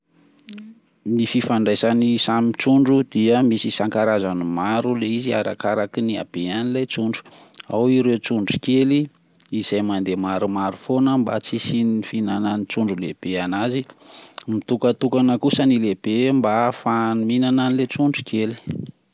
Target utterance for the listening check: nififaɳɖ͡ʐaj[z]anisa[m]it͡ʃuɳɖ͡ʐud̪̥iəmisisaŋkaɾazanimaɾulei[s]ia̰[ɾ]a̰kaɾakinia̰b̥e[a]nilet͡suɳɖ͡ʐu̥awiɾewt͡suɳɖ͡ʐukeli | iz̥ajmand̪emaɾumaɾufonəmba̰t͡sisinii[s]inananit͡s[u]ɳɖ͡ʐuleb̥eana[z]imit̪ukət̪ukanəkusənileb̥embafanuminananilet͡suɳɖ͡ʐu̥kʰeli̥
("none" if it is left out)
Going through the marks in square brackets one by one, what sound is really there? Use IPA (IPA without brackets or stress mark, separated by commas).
s, m, z, ɾ, a, f, u, z